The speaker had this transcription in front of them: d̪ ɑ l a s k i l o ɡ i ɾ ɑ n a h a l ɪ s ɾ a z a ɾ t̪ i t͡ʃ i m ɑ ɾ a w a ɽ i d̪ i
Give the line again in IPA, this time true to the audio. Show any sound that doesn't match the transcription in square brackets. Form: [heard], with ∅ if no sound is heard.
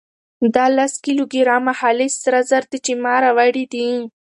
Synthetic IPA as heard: d̪ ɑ l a s k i l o ɡ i ɾ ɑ [m] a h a l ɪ s ɾ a z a ɾ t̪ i t͡ʃ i m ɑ ɾ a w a ɽ i d̪ i